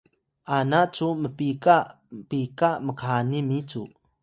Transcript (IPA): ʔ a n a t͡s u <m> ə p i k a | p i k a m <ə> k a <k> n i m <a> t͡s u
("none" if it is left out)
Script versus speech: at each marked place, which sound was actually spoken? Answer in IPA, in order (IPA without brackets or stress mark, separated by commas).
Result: m, ə, none, i